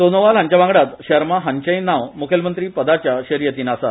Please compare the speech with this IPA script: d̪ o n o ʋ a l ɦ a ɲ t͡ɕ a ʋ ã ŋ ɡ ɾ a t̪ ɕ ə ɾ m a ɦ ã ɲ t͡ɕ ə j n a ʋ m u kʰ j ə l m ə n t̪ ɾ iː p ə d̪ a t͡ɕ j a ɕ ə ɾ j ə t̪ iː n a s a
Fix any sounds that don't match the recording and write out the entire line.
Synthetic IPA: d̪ o n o ʋ a l ɦ a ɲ t͡ɕ a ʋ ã ŋ ɡ ɽ a t̪ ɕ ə ɾ m a ɦ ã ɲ t͡ɕ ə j n a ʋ m u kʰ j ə l m ə n t̪ ɾ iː p ə d̪ a t͡ɕ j a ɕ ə ɾ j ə t̪ iː n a s a